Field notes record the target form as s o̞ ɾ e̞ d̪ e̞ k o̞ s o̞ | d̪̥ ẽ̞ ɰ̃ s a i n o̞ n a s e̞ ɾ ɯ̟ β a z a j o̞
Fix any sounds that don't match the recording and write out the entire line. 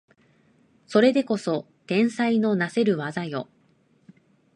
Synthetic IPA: s o̞ ɾ e̞ d̪ e̞ k o̞ s o̞ | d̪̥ ẽ̞ ɰ̃ s a i n o̞ n a s e̞ ɾ ɯ̟ β a z a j o̞